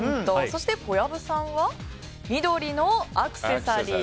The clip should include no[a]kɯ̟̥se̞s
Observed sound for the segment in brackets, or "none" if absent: a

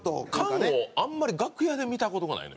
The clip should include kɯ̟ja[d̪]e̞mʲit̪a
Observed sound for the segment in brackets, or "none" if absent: d̪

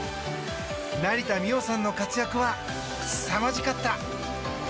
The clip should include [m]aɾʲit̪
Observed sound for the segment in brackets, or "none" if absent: n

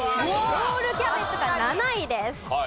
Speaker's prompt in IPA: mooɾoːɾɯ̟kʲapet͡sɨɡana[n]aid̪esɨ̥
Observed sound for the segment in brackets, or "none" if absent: n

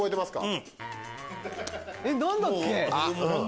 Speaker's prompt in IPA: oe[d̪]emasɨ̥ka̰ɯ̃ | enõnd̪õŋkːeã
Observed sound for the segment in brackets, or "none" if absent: t̪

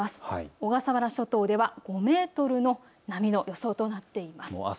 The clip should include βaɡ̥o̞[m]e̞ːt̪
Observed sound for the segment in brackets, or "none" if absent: m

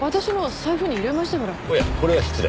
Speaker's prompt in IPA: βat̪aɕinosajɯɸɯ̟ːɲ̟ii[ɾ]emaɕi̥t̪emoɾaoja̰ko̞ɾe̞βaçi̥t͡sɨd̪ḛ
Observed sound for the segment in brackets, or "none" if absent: ɾ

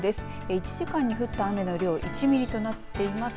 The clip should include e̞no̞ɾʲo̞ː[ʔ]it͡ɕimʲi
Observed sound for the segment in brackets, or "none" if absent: ʔ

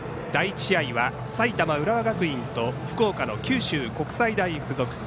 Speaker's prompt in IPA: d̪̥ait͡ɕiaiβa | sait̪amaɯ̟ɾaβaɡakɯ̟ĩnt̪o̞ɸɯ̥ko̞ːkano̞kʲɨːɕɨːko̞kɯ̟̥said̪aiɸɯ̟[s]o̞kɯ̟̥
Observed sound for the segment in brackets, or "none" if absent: z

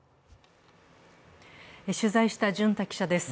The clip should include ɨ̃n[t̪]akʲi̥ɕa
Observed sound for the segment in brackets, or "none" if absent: t̪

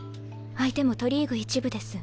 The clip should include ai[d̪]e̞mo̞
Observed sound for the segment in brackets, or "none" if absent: t̪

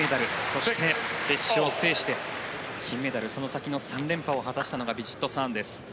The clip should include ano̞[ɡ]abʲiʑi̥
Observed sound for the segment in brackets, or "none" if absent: ɡ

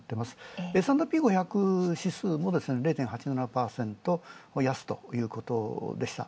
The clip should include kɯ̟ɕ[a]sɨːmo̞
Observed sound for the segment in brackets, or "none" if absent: i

